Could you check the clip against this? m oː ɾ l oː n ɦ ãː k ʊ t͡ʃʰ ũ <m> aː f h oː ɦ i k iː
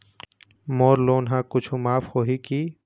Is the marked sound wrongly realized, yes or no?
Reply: no